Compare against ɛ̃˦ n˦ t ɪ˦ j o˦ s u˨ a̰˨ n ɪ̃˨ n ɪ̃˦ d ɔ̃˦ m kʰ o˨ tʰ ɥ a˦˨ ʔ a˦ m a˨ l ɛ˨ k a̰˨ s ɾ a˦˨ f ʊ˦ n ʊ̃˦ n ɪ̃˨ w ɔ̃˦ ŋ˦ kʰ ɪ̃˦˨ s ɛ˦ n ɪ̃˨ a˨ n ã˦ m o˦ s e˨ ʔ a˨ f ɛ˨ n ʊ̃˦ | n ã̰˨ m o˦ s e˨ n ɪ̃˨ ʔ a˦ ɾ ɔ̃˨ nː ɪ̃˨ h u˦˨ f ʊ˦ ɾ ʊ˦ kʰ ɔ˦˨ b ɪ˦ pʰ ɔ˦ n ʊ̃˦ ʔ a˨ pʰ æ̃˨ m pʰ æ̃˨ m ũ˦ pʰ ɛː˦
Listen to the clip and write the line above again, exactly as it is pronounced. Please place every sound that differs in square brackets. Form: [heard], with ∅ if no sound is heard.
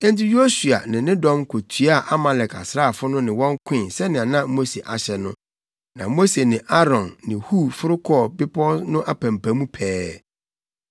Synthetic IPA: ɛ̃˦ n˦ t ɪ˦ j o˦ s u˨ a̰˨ n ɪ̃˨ n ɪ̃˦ d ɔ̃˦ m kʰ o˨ tʰ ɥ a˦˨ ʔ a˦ m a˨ l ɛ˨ k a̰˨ s ɾ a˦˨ f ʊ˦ n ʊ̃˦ n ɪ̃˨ w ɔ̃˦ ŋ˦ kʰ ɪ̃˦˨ s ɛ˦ n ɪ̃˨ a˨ n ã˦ m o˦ s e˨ ʔ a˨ [ɕ] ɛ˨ n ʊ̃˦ | n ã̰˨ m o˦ s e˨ n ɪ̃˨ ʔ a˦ ɾ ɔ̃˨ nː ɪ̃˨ h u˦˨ f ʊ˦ ɾ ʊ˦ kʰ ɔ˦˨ b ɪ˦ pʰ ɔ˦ n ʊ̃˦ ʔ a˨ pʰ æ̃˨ m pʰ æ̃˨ m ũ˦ pʰ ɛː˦